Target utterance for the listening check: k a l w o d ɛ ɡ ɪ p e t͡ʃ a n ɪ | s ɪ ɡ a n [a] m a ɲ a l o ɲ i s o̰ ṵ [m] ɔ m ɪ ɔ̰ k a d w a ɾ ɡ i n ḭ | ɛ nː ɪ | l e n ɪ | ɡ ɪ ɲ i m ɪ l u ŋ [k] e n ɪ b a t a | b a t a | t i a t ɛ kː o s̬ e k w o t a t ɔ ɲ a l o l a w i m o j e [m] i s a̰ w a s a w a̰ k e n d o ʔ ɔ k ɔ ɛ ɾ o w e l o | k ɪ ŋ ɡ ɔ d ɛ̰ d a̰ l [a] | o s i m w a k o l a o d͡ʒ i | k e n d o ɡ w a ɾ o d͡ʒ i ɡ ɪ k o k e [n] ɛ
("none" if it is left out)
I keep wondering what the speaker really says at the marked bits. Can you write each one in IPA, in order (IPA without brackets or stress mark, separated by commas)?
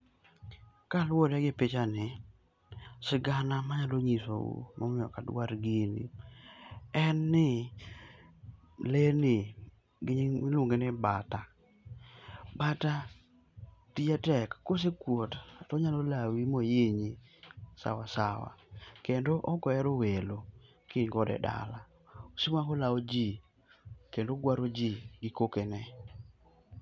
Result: a, m, ɡ, ɲ, a, n